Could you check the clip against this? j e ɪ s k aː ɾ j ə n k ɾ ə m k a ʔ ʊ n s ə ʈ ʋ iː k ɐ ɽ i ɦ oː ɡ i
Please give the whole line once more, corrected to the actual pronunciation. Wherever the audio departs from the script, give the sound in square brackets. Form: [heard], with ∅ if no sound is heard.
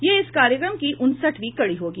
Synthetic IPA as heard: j e ɪ s k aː ɾ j ə [∅] k ɾ ə m k [i] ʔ ʊ n s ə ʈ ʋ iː k ɐ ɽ i ɦ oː ɡ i